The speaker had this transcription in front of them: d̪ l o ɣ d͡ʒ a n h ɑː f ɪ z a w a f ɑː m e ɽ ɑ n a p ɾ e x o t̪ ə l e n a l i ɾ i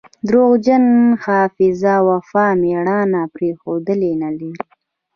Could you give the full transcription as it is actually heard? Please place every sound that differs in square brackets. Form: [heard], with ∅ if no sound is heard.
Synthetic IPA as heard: d̪ [ɾ] o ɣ d͡ʒ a n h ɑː f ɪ z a w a f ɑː m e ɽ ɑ n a p ɾ e x o [d̪] ə l e n a l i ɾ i